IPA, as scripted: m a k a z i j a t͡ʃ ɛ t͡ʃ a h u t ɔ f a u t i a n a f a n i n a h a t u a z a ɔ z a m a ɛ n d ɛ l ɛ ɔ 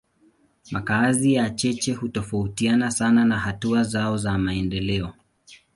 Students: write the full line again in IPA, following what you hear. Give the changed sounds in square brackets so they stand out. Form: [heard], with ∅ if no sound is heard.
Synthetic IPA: m a k a z i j a t͡ʃ ɛ t͡ʃ [ɛ] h u t ɔ f a u t i a n a [s] a n [a] n a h a t u a z a ɔ z a m a ɛ n d ɛ l ɛ ɔ